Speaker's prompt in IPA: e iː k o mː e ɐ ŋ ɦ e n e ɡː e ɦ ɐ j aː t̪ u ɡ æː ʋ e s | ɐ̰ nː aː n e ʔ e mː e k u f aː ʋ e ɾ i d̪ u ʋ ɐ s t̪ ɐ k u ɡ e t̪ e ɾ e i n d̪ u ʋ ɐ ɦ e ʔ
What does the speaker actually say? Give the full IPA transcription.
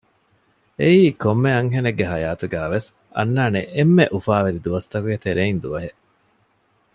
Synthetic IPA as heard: e iː k o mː e ɐ ŋ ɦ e n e ɡː e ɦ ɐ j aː t̪ u ɡ æː ʋ e s | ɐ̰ nː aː n e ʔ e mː e ʔ u f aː ʋ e ɾ i d̪ u ʋ ɐ s t̪ ɐ k u ɡ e t̪ e ɾ e i n d̪ u ʋ ɐ ɦ e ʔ